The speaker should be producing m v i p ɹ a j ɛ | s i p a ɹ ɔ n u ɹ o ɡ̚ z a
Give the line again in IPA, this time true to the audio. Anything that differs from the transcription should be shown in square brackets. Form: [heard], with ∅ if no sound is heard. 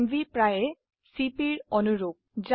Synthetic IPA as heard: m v i p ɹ a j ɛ | s i p [i] ɹ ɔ n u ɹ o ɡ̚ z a